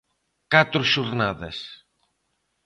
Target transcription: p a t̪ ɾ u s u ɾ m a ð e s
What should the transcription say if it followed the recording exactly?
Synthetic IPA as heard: k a t̪ ɾ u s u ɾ n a ð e s